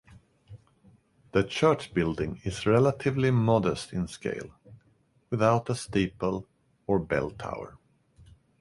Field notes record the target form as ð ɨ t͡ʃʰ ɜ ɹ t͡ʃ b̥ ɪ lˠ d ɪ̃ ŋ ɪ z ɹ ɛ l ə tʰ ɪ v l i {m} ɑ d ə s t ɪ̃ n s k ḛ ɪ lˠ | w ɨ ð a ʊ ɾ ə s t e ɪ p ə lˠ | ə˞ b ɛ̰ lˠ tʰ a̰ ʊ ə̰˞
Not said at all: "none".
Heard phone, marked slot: m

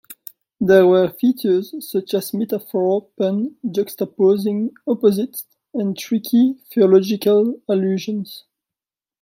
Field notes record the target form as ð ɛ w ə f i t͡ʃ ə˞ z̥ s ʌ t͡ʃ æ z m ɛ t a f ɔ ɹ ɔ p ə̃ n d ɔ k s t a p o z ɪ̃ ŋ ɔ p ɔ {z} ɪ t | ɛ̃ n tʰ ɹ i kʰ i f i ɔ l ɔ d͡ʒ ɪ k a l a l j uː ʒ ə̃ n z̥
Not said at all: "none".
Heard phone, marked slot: z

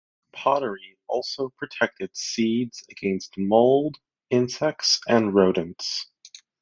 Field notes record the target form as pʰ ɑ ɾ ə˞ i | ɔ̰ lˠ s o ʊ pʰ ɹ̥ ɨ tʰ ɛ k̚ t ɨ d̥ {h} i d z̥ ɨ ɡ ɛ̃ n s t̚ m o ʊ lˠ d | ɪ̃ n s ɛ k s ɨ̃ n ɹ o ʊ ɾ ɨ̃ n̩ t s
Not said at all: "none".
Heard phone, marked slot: s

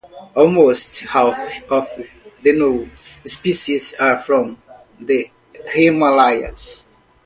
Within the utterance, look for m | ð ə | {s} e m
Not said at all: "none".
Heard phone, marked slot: h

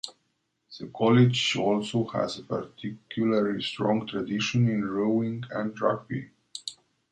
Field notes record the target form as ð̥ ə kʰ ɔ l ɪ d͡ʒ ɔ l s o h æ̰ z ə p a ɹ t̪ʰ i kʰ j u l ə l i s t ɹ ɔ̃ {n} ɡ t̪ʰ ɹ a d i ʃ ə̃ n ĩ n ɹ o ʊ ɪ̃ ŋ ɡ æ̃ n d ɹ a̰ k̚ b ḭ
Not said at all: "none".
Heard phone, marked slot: ŋ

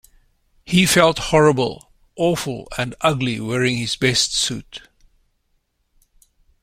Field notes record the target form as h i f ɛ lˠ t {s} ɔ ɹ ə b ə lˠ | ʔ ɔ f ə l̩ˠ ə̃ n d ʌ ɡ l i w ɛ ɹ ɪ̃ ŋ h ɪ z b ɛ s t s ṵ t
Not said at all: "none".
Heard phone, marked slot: h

